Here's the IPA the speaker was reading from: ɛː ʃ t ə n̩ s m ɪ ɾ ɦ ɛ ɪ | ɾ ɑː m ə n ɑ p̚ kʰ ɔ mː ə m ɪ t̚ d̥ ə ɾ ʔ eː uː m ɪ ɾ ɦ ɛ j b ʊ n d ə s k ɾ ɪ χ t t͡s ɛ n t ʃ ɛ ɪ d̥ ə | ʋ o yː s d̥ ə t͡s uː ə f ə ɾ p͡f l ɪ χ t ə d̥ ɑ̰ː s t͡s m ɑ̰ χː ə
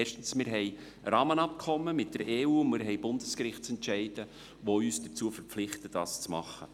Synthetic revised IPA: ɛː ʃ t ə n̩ s m ɪ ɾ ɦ ɛ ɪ | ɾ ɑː m ə n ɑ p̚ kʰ ɔ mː ə m ɪ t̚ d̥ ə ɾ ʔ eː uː m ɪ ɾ ɦ ɛ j b ʊ n d ə s k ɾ ɪ χ t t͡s ɛ n t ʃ ɛ ɪ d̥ ə | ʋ o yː s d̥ ə t͡s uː ə f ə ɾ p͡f l ɪ χ t ə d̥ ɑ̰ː s t͡s m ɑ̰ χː ə